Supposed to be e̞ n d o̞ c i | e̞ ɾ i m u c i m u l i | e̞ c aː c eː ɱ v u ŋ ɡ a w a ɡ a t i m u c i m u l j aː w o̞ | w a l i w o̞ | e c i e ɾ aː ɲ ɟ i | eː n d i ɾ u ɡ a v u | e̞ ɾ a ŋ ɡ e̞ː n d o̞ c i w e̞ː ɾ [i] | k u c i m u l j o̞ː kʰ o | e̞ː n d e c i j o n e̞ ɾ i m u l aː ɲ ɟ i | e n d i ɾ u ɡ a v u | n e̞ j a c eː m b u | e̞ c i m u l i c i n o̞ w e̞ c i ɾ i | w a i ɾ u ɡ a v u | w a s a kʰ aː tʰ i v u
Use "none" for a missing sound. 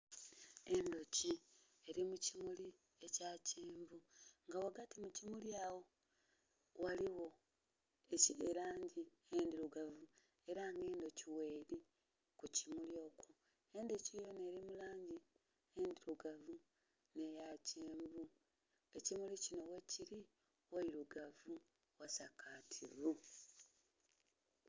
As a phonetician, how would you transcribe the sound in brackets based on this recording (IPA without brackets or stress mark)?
i